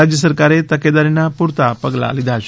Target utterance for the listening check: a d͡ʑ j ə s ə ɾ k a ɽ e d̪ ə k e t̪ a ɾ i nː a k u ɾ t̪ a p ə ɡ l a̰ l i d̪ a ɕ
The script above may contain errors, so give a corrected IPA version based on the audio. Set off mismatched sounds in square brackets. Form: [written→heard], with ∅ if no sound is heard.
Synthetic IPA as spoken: a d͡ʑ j ə s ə ɾ k a [ɽ→ɾ] e [d̪→t̪] ə k e [t̪→d̪] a ɾ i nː a [k→p] u ɾ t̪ a p ə ɡ l a̰ l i d̪ a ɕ